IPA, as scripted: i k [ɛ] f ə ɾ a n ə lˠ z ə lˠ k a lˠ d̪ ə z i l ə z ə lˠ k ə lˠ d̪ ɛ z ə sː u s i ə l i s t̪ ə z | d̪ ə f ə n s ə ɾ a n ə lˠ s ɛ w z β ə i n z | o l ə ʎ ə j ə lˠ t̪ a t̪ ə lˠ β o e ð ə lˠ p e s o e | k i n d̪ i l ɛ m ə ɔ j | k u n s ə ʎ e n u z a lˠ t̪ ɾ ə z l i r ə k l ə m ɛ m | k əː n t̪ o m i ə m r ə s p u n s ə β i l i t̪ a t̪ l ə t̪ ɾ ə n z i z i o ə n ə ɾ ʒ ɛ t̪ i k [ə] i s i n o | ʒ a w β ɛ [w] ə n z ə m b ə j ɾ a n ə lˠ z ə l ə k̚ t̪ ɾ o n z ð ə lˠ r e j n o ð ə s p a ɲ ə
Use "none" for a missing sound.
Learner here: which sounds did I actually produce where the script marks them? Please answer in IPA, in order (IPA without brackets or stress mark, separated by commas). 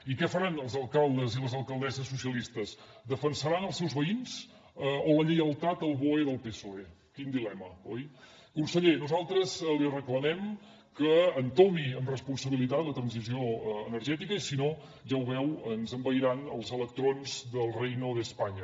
ɛ, ə, w